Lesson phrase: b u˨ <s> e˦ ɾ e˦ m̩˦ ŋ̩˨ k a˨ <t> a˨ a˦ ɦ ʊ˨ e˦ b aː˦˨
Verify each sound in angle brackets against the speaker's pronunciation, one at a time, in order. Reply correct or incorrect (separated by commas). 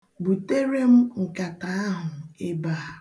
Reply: incorrect, correct